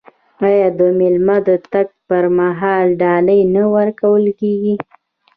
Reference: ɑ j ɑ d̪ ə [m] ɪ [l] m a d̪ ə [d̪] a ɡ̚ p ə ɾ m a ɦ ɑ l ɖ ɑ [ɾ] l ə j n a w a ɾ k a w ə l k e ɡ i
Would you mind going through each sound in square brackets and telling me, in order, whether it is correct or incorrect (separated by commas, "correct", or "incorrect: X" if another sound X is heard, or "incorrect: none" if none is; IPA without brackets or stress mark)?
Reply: correct, correct, incorrect: t̪, incorrect: none